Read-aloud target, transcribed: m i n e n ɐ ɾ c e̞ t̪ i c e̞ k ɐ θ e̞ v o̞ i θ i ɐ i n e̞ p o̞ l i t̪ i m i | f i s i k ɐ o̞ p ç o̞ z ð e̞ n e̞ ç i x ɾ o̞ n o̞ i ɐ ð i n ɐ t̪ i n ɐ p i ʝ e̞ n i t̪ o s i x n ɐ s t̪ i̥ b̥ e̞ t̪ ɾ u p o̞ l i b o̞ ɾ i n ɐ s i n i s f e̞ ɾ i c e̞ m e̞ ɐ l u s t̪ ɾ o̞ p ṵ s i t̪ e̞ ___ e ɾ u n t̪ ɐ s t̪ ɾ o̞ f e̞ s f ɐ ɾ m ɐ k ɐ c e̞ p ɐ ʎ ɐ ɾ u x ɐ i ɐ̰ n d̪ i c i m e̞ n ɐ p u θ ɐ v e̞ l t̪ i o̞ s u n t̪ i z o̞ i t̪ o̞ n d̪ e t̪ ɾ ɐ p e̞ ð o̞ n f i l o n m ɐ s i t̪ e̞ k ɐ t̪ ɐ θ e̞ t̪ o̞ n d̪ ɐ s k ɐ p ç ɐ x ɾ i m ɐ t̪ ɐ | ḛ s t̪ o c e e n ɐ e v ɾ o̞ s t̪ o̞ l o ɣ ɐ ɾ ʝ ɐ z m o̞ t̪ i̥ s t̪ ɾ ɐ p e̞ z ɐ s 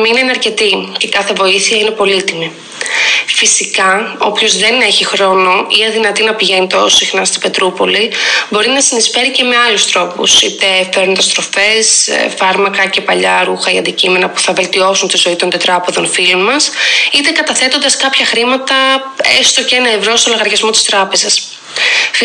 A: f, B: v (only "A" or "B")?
A